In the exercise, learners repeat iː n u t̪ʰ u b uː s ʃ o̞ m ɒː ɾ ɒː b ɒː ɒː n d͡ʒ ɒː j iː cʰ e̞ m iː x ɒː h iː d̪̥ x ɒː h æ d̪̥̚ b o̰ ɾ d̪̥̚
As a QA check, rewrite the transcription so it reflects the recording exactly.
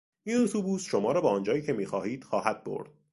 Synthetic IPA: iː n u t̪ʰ u b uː s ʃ o̞ m ɒː ɾ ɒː b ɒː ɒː n d͡ʒ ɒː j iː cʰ e̞ m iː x ɒː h iː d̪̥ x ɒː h æ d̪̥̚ b o̰ ɾ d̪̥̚